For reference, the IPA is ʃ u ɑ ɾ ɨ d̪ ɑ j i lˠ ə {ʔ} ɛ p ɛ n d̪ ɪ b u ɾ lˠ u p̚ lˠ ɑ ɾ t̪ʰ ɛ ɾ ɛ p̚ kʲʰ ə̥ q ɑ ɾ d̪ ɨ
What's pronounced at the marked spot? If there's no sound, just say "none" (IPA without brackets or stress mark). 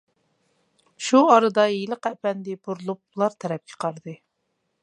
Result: q